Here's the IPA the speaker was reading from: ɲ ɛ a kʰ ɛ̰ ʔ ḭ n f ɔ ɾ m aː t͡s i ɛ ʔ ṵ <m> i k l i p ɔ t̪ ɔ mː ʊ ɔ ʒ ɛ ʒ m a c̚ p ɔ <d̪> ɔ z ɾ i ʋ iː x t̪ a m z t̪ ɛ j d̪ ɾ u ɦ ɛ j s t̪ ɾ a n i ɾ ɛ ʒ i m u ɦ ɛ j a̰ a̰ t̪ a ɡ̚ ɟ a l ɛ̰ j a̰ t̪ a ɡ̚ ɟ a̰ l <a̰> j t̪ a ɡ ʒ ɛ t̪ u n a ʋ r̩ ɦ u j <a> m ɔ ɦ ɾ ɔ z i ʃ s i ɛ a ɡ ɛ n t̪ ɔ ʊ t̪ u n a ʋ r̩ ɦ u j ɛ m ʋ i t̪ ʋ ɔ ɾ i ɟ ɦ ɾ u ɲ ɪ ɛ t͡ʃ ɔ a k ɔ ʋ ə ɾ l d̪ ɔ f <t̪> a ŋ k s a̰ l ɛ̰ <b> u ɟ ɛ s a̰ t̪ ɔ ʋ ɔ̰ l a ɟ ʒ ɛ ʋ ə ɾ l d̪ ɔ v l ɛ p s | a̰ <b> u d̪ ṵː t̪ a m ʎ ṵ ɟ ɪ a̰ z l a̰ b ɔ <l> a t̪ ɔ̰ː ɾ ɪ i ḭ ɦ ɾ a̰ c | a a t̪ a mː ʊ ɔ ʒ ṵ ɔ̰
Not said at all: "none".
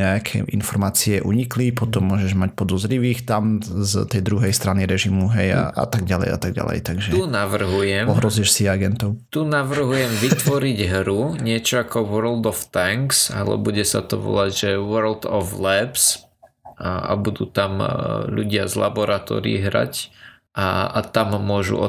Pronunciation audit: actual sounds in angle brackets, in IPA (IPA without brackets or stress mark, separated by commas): ɲ, d̪, ɛ̰, ɛ, t̪, b, b, ɾ